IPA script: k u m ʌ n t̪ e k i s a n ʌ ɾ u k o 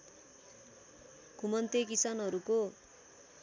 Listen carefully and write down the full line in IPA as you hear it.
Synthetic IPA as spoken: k u m ʌ n t̪ e k i s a n ʌ ɾ u k o